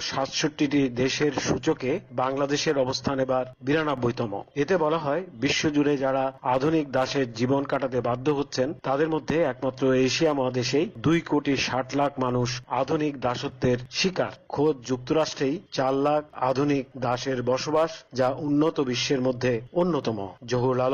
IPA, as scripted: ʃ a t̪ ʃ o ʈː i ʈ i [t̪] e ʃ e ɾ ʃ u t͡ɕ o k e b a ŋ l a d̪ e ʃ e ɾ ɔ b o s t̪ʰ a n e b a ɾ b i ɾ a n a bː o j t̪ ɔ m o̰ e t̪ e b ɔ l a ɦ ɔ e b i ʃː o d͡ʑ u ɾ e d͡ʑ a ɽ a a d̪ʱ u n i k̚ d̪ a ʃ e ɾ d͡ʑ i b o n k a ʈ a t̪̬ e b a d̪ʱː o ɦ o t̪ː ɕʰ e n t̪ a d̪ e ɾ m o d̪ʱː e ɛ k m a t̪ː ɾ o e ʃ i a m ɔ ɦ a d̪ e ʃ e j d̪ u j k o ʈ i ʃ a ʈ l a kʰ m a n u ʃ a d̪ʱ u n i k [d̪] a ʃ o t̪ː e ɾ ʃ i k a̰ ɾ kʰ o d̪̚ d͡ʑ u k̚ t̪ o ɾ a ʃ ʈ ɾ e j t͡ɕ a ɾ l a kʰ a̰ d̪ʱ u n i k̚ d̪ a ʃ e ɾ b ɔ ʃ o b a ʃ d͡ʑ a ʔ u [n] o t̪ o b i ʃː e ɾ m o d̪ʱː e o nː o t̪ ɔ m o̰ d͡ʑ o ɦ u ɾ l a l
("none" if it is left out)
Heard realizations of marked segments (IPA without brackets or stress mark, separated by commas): d̪, d̪, nː